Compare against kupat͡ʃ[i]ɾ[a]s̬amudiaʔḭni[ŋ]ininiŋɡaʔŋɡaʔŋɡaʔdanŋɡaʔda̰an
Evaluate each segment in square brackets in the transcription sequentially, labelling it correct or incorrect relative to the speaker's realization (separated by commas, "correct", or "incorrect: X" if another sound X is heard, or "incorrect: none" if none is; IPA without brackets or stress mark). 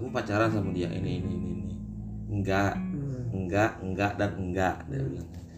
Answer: incorrect: a, correct, incorrect: n